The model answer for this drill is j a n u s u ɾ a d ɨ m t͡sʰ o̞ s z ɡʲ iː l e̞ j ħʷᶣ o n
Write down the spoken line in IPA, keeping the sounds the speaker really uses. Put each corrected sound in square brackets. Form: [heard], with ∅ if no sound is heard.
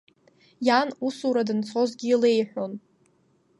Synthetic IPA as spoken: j a n u s u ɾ a d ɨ [n] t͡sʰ o̞ [∅] z ɡʲ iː l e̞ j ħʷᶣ o n